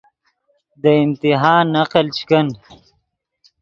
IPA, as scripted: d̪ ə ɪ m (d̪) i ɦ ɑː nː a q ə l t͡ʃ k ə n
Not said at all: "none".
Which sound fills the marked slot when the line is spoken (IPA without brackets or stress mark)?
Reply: t̪